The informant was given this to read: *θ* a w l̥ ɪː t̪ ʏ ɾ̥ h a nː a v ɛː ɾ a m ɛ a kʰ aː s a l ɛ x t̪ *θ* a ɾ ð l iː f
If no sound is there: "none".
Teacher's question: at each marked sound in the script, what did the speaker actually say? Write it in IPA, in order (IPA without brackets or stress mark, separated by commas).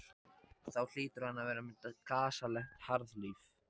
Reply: θ, h